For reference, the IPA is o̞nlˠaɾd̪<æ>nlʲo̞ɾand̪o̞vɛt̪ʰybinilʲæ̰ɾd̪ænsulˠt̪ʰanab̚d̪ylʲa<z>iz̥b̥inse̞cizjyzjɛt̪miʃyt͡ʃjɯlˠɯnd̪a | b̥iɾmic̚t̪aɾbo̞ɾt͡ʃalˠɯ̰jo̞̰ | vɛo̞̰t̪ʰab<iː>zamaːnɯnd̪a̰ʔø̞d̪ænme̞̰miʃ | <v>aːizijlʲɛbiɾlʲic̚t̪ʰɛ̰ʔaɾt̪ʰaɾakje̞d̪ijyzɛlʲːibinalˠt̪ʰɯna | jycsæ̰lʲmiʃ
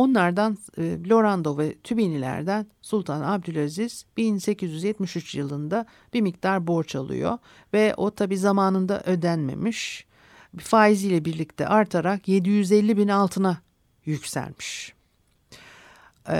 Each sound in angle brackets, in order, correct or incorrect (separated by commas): incorrect, correct, correct, incorrect